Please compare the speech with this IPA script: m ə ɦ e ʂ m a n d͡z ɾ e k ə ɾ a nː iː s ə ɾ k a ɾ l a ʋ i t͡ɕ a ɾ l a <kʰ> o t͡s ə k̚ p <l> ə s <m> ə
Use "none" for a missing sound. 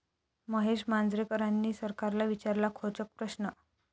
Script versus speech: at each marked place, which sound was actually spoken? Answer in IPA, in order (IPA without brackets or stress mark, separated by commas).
kʰ, ɾ, n